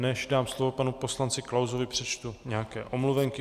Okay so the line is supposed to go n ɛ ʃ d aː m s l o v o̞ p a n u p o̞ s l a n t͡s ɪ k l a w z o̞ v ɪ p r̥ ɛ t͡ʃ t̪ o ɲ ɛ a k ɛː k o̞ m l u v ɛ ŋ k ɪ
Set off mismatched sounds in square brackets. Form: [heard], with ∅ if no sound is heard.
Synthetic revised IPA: n ɛ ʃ d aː m s l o v o̞ p a n u p o̞ s l a n t͡s ɪ k l a w z o̞ v ɪ p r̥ ɛ t͡ʃ t̪ [u] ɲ ɛ a k ɛː [ʔ] o̞ m l u v ɛ ŋ k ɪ